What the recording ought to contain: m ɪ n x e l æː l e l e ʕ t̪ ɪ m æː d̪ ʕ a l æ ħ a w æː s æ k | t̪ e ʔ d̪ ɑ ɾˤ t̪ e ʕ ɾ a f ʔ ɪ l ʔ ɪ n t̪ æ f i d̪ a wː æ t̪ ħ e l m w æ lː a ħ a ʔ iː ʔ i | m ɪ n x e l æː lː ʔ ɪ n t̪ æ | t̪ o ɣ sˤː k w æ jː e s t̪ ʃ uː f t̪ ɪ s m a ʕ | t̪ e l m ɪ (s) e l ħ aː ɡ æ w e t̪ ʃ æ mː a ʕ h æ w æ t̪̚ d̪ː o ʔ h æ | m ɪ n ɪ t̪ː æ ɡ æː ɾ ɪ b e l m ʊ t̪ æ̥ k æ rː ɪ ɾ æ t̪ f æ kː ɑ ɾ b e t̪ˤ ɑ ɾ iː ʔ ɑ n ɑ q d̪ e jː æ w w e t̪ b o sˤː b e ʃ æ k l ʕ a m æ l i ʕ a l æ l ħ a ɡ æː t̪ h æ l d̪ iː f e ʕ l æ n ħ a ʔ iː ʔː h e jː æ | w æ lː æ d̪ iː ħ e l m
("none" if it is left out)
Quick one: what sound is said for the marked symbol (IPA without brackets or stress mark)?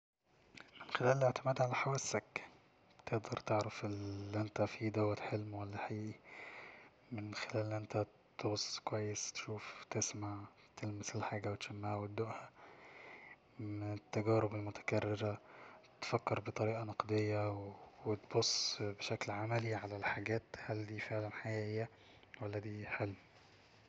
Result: s